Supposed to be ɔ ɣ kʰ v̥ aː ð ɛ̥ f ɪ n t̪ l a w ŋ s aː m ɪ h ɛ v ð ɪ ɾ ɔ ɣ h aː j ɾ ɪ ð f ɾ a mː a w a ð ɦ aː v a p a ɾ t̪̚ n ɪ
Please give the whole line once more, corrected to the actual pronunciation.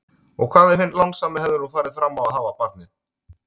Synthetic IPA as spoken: ɔ ɣ kʰ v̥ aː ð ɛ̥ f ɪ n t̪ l a w ŋ s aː m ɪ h ɛ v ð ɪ ɾ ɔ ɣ f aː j ɾ ɪ ð f ɾ a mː a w a ð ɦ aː v a p a ɾ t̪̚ n ɪ